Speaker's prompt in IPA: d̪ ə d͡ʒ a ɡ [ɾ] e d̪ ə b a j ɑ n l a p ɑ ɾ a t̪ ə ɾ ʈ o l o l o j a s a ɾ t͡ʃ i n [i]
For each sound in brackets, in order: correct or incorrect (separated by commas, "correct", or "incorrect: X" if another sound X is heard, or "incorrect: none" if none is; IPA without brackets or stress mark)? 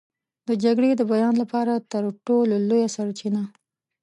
incorrect: ɽ, incorrect: a